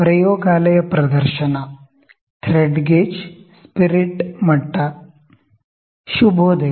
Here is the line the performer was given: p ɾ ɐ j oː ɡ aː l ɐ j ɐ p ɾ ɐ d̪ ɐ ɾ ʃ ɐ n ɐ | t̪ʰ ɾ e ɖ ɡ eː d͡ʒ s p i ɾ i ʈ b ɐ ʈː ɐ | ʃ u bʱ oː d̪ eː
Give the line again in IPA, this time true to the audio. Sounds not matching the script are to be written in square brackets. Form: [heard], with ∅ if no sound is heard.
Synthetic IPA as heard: p ɾ ɐ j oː ɡ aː l ɐ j ɐ p ɾ ɐ d̪ ɐ ɾ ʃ ɐ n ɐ | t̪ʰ ɾ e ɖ ɡ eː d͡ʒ s p i ɾ i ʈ [m] ɐ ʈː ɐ | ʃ u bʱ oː d̪ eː